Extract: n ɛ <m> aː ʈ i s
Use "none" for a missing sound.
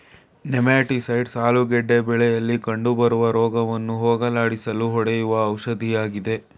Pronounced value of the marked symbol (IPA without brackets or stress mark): m